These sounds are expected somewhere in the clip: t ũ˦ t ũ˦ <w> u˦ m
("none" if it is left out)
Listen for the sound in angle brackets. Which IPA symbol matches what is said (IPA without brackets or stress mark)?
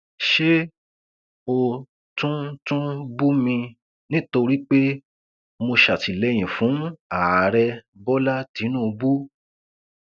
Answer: b